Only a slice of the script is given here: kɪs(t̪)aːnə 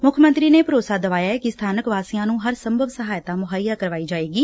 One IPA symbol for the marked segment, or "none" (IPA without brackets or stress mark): t̪ʰ